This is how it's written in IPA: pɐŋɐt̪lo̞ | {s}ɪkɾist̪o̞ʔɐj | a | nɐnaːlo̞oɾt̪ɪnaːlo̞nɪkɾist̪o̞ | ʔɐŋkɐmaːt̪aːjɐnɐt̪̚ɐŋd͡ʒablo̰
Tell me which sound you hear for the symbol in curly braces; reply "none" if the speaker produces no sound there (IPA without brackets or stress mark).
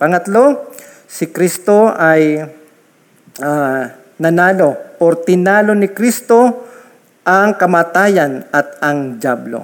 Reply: s